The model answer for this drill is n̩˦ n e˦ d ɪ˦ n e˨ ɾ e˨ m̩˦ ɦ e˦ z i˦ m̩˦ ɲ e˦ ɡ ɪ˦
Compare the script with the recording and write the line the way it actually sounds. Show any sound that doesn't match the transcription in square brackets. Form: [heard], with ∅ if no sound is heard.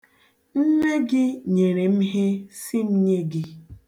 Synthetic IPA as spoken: n̩˦ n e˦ [ɡ] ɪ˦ [ɲ] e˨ ɾ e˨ m̩˦ ɦ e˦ [s] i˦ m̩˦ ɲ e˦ ɡ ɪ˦